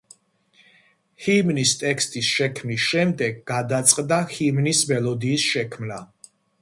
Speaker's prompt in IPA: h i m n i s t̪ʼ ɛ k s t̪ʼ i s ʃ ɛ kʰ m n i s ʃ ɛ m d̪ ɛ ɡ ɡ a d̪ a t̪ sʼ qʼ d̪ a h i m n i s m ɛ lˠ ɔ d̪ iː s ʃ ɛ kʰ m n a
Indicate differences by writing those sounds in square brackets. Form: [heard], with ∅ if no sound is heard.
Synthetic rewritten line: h i m n i s t̪ʼ ɛ k s t̪ʼ i s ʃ ɛ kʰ m n i s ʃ ɛ m d̪ ɛ ɡ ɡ a d̪ a t̪ sʼ qʼ d̪ a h i m n i s m ɛ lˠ ɔ d̪ iː s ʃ ɛ kʰ m n a